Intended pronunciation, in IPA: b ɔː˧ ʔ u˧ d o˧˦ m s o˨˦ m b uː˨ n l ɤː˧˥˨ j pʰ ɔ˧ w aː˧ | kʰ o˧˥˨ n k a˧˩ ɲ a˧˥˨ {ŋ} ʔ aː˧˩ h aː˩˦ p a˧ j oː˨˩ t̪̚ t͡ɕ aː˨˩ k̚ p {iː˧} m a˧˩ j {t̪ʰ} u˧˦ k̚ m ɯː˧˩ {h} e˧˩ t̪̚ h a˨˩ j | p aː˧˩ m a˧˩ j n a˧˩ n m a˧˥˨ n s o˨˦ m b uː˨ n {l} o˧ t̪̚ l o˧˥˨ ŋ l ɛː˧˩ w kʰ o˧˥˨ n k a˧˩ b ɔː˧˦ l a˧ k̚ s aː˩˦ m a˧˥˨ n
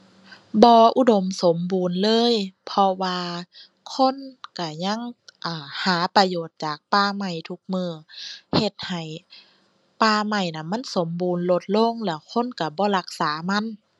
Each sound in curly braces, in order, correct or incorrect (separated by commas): correct, incorrect, correct, correct, correct